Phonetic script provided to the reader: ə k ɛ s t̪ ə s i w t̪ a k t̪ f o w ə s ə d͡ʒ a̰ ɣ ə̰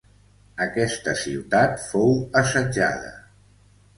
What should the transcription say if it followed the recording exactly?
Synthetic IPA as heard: ə k ɛ s t̪ ə s i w t̪ a t̪ f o w ə s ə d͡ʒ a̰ ð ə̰